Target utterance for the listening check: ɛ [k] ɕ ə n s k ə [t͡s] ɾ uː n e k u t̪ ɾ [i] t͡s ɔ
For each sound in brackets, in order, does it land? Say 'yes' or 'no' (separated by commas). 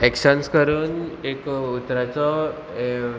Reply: yes, no, no